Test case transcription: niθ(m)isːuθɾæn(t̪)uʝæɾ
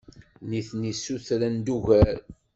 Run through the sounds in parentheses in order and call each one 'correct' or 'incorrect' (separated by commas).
incorrect, incorrect